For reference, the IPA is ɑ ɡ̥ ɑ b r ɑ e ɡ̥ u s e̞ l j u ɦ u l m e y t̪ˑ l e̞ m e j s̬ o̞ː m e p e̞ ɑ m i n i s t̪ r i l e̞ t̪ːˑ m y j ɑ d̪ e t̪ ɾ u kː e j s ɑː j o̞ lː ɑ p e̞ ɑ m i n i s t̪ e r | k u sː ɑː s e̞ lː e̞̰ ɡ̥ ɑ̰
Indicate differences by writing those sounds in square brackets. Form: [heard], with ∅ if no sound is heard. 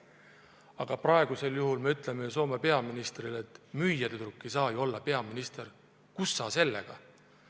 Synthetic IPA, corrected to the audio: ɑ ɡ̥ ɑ [p] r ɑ e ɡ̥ u s e̞ l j u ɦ u l m e y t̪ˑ l e̞ m e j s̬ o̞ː m e p e̞ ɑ m i n i s t̪ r i l e̞ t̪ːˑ m y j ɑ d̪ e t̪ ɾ u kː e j s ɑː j o̞ lː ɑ p e̞ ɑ m i n i s t̪ e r | k u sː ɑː s e̞ lː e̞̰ ɡ̥ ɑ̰